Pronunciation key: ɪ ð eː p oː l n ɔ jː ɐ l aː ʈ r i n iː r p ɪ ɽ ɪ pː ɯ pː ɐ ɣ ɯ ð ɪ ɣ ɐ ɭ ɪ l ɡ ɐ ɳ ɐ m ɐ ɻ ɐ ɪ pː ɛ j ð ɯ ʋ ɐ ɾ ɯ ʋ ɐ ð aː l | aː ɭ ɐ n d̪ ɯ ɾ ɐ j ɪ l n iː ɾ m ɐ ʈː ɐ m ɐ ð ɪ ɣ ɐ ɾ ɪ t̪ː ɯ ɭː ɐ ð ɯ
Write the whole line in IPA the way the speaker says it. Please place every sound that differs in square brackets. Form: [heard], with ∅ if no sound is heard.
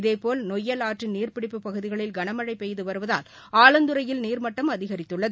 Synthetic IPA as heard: ɪ ð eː p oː l n ɔ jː ɐ l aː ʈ r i n iː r p ɪ ɽ ɪ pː ɯ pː ɐ ɣ ɯ ð ɪ ɣ ɐ ɭ ɪ l ɡ ɐ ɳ ɐ m ɐ ɻ ɐ ɪ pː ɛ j ð ɯ ʋ ɐ ɾ ɯ ʋ ɐ ð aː l | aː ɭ ɐ n d̪ ɯ ɾ ɐ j ɪ l n iː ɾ m ɐ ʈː ɐ m ɐ ð ɪ ɣ ɐ ɾ ɪ t̪ː ɯ ɭː ɐ ð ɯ